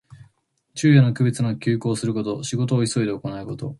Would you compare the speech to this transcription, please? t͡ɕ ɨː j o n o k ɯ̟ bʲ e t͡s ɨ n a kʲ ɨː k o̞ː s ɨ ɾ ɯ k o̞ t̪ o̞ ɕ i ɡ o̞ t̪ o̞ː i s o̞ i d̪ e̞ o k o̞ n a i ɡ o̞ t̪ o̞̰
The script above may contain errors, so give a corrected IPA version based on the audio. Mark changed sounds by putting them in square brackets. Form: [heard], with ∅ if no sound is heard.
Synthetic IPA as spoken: t͡ɕ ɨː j o n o k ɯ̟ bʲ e t͡s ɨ n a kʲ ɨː k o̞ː s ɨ ɾ ɯ k o̞ t̪ o̞ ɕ i ɡ o̞ t̪ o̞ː i s o̞ i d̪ e̞ o k o̞ n a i [k] o̞ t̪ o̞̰